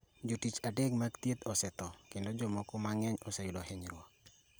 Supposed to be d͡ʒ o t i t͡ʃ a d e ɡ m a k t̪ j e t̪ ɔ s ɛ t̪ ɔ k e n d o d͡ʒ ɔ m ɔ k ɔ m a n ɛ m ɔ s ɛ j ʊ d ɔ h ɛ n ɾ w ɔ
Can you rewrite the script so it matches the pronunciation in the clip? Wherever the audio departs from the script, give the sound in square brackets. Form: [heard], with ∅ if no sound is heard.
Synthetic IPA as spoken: d͡ʒ o t i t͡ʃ a d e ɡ m a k t̪ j e t̪ ɔ s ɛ t̪ ɔ k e n d o d͡ʒ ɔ m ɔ k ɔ m a [ŋ] ɛ [ɲ] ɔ s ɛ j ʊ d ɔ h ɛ [ɲ] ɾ w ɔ